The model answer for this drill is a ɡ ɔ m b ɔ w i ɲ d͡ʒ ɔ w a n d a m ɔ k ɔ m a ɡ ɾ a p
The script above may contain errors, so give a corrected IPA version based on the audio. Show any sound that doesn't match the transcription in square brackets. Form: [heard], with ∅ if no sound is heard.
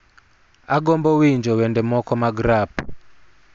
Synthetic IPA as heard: a ɡ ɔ m b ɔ w i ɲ d͡ʒ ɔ w [ɛ] n d [ɛ] m ɔ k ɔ m a ɡ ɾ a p